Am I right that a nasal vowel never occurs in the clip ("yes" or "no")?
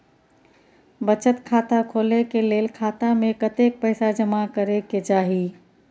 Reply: yes